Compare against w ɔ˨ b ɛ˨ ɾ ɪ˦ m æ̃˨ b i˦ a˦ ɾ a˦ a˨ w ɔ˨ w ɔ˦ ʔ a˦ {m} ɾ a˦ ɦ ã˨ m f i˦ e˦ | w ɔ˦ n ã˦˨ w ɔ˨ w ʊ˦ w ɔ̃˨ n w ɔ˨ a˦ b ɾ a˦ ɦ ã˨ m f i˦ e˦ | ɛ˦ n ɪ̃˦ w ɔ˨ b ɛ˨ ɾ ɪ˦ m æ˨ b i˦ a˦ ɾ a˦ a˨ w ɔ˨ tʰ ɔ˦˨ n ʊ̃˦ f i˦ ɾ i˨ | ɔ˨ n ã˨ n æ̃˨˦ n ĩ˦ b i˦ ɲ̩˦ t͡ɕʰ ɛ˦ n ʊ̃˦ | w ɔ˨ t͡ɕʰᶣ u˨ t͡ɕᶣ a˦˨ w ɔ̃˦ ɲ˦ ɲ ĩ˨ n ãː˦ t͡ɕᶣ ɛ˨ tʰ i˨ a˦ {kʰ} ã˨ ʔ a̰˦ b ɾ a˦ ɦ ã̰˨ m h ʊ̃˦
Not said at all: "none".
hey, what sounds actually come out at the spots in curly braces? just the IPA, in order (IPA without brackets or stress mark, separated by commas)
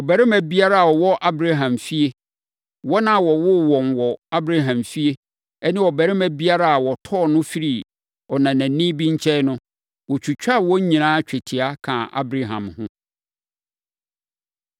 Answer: b, kʰ